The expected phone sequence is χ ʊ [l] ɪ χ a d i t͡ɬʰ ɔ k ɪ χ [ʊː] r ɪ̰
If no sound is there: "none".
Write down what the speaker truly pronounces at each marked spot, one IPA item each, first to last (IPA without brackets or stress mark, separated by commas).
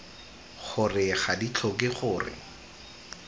r, ʊː